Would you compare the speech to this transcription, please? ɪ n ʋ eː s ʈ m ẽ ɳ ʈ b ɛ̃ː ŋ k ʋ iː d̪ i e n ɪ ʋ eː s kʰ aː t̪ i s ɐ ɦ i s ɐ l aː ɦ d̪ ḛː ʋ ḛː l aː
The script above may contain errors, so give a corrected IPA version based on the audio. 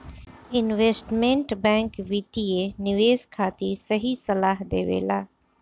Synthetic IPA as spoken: ɪ n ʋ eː s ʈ m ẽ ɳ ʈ b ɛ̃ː ŋ k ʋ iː t̪ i e n ɪ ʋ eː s kʰ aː t̪ i s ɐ ɦ i s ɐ l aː ɦ d̪ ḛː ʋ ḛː l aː